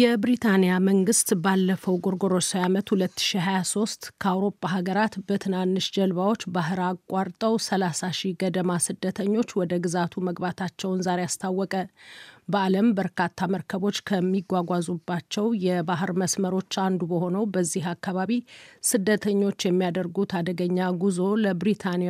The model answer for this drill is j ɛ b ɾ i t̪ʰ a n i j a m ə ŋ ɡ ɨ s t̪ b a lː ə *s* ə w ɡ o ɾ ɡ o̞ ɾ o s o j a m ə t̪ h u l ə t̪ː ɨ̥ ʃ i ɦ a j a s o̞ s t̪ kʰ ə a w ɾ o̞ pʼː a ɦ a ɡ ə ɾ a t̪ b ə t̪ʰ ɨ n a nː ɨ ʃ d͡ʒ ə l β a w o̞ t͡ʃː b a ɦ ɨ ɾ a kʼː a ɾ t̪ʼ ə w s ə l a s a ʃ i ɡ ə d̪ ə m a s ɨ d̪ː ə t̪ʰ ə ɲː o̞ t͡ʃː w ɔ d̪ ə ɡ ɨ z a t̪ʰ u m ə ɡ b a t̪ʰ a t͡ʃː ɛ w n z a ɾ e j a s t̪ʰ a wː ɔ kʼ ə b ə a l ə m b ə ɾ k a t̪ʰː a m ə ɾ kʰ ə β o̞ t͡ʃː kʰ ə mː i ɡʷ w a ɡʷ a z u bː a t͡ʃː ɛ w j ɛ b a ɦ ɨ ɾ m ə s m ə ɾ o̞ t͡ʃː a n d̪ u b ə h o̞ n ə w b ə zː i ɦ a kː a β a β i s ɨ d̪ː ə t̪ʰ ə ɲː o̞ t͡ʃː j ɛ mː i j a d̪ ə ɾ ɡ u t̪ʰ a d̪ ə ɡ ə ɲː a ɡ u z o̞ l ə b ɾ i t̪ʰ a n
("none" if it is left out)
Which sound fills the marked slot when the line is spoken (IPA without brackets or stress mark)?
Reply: f